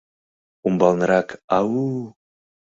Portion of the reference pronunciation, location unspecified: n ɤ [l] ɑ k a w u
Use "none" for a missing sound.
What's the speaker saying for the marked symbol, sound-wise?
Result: ɾ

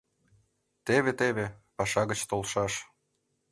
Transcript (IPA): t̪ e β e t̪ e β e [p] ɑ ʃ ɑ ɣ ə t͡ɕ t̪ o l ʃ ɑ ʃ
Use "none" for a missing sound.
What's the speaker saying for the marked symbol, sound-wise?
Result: p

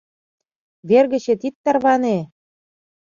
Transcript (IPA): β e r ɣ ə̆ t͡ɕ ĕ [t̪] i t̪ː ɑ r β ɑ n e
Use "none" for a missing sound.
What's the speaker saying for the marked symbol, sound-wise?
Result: t̪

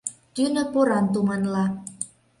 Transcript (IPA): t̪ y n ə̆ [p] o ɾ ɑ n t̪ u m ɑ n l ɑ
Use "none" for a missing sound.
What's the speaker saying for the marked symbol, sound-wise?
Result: p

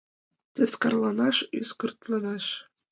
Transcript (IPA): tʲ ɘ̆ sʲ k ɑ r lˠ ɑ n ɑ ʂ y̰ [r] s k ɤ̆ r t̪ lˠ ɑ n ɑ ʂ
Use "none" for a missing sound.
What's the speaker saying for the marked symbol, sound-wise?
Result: none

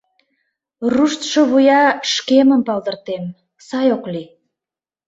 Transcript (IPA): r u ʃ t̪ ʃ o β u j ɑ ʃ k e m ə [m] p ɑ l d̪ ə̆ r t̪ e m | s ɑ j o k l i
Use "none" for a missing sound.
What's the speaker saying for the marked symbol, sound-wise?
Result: m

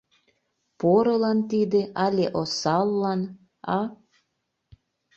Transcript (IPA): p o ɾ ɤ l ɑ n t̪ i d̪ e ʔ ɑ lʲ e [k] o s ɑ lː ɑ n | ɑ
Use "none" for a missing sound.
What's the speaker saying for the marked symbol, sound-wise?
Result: ʔ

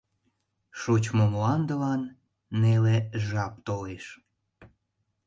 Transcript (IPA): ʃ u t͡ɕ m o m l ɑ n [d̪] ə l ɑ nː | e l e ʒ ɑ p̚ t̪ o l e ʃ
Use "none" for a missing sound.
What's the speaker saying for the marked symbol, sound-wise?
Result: d̪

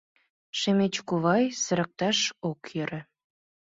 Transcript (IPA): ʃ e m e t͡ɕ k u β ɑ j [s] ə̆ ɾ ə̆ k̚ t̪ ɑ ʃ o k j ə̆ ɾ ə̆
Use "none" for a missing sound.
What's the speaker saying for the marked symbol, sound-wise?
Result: s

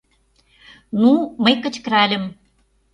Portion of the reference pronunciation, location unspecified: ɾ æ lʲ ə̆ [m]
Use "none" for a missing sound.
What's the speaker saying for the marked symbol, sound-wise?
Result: m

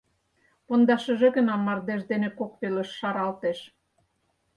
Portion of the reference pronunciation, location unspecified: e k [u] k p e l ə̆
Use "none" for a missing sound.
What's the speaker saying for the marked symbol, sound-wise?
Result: o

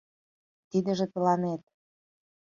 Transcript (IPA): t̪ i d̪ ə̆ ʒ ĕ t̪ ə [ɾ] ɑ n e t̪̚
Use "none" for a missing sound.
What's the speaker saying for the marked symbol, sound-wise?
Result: l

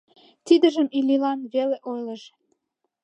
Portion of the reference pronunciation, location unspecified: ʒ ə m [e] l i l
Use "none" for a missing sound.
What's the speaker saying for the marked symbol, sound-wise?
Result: i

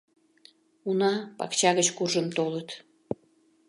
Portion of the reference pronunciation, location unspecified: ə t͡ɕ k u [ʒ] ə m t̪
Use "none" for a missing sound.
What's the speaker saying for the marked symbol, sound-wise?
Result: ʒ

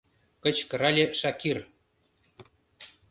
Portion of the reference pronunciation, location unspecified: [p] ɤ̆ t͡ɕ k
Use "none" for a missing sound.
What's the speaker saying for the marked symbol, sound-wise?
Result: k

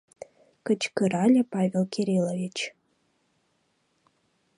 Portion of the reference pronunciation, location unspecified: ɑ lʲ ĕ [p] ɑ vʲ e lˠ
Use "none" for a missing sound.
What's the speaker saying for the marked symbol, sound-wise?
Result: p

